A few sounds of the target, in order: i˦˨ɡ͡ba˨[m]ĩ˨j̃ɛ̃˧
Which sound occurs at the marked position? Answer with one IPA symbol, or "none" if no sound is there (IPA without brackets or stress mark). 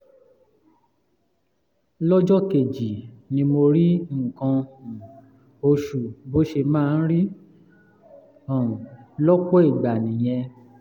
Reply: n